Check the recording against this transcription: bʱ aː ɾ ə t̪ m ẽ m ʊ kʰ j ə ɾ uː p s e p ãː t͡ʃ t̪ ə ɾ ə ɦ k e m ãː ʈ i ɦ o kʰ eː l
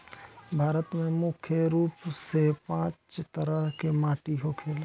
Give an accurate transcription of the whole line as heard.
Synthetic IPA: bʱ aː ɾ ə t̪ m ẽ m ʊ kʰ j ə ɾ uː p s e p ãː t͡ʃ t̪ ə ɾ ə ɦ k e m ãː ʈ i ɦ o kʰ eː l